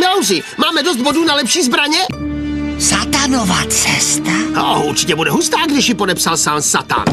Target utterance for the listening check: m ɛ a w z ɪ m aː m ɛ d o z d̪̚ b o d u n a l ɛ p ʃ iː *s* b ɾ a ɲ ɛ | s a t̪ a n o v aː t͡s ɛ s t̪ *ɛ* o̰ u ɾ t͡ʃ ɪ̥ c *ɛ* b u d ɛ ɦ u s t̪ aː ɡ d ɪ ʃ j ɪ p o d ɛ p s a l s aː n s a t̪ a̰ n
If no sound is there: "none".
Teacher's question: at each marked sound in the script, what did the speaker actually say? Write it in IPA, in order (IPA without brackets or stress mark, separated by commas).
z, a, ɛ